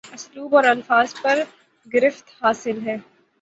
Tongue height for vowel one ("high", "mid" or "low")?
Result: high